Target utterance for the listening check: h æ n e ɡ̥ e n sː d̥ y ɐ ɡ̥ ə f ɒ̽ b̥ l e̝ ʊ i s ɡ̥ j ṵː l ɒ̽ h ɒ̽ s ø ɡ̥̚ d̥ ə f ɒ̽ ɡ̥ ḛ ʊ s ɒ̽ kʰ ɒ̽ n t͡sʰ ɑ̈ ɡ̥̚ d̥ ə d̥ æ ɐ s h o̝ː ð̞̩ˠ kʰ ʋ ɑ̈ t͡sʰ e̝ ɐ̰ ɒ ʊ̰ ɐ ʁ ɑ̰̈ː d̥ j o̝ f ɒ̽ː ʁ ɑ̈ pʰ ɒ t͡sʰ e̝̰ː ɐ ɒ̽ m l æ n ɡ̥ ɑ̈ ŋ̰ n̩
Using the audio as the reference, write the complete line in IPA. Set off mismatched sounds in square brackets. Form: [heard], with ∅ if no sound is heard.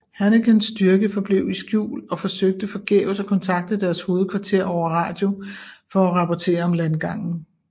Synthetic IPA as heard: h æ n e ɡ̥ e n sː d̥ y ɐ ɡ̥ ə f ɒ̽ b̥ l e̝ ʊ i s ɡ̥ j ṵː l ɒ̽ [f] ɒ̽ s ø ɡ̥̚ d̥ ə f ɒ̽ ɡ̥ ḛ ʊ s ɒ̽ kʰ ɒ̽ n t͡sʰ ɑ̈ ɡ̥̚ d̥ ə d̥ æ ɐ s h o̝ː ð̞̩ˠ kʰ ʋ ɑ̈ t͡sʰ e̝ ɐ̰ ɒ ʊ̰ ɐ ʁ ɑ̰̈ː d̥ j o̝ f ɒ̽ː ʁ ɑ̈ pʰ ɒ t͡sʰ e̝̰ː ɐ ɒ̽ m l æ n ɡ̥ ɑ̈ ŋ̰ n̩